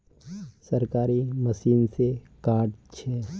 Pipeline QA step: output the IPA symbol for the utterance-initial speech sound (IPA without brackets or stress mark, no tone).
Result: s